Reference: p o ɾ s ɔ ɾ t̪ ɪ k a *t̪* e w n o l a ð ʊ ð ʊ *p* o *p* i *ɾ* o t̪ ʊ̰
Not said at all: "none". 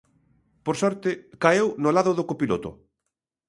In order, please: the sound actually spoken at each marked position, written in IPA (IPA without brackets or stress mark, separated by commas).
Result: none, k, p, l